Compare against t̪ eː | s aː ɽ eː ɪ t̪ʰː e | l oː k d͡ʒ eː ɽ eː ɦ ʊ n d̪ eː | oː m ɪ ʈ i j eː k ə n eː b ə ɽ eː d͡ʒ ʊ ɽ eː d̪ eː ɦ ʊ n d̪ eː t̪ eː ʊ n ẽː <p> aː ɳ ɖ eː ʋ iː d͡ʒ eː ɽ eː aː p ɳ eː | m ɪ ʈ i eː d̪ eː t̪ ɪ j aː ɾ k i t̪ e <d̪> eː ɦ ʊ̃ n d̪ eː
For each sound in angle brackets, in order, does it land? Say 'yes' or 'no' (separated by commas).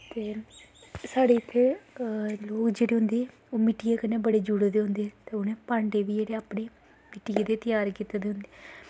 yes, yes